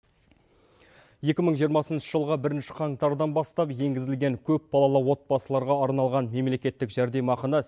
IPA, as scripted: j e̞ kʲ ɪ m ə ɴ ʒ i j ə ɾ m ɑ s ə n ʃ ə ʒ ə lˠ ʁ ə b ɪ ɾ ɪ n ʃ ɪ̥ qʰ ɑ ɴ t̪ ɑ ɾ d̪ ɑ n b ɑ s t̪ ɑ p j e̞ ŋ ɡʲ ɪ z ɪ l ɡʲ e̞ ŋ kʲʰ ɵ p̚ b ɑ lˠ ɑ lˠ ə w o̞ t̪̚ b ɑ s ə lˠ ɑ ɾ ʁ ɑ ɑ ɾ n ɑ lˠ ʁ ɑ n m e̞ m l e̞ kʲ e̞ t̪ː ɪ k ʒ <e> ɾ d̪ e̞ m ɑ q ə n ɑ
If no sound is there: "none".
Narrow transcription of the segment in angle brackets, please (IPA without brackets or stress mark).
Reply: æ